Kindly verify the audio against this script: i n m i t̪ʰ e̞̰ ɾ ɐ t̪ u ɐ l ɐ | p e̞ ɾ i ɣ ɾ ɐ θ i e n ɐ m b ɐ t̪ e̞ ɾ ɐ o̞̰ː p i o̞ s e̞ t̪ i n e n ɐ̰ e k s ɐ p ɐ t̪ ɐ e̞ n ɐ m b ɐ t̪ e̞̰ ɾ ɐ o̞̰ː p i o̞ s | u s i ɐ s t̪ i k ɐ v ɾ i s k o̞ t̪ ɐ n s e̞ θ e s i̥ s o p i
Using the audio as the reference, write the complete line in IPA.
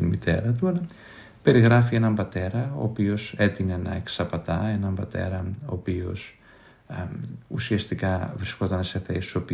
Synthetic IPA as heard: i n m i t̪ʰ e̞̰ ɾ ɐ t̪ u ɐ l ɐ | p e̞ ɾ i ɣ ɾ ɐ f i e n ɐ m b ɐ t̪ e̞ ɾ ɐ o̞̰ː p i o̞ s e̞ t̪ i n e n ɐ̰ e k s ɐ p ɐ t̪ ɐ e̞ n ɐ m b ɐ t̪ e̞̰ ɾ ɐ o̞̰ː p i o̞ s | u s i ɐ s t̪ i k ɐ v ɾ i s k o̞ t̪ ɐ n s e̞ θ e s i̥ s o p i